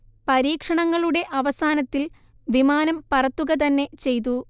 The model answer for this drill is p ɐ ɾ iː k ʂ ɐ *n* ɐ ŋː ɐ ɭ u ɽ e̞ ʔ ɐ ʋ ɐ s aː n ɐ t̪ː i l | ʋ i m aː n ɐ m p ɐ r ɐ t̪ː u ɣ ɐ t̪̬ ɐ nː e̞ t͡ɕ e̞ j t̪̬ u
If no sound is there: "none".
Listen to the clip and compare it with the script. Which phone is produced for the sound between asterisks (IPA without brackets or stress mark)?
ɳ